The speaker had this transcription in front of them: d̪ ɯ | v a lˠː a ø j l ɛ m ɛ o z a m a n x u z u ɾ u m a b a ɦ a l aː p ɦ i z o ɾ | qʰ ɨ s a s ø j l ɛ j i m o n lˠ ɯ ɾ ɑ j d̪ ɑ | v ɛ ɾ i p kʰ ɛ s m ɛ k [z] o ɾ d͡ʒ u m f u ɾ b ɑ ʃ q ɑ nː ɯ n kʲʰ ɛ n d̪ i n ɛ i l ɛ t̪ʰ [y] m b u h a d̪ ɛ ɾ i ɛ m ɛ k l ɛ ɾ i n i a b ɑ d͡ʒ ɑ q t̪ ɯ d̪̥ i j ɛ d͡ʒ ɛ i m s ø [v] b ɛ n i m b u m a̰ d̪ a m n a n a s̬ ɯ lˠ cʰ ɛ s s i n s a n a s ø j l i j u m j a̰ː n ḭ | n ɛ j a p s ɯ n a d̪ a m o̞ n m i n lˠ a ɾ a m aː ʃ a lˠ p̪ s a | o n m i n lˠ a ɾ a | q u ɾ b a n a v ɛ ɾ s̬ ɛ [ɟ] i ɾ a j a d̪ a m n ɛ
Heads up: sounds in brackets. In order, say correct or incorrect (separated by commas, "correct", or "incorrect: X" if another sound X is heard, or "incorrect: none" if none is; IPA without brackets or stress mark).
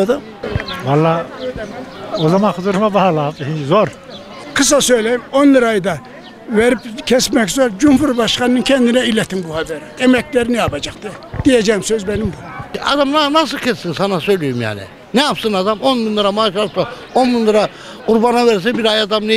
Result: correct, incorrect: i, incorrect: z, incorrect: b